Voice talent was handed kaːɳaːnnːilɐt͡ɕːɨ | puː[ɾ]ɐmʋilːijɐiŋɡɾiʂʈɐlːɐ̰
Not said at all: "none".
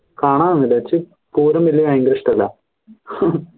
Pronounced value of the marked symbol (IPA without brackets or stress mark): ɾ